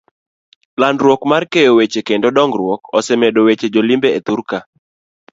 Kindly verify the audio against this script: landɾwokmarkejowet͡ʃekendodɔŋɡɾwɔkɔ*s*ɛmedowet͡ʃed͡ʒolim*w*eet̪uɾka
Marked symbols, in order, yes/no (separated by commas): yes, no